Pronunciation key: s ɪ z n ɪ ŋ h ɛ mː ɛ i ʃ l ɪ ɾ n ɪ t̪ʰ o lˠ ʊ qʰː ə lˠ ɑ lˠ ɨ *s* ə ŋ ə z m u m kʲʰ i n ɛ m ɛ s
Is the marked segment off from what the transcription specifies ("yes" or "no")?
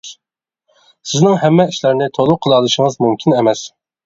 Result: yes